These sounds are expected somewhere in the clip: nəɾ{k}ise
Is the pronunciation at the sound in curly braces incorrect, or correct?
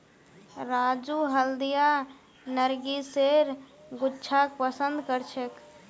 incorrect